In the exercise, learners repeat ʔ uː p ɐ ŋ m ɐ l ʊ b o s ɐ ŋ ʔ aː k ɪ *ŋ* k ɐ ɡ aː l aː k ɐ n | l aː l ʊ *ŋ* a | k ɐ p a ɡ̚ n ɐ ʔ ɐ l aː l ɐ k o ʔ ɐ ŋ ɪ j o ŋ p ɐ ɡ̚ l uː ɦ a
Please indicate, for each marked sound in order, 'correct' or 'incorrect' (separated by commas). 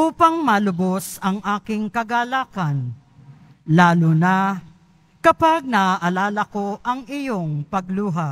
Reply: correct, incorrect